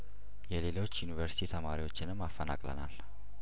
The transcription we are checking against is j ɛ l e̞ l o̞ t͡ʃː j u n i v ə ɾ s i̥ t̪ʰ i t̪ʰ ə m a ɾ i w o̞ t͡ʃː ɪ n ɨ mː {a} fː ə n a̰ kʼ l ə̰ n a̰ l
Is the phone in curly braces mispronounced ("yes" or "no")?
no